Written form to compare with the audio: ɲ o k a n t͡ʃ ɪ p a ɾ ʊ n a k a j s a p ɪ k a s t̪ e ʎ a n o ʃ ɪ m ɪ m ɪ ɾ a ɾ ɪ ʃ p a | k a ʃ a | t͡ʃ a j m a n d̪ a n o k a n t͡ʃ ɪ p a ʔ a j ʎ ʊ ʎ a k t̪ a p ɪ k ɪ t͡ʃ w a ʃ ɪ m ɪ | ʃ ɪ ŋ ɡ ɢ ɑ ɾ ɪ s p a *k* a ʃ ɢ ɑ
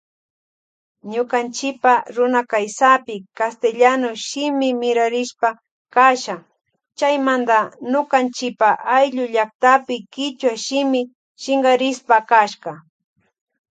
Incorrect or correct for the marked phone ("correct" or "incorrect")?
correct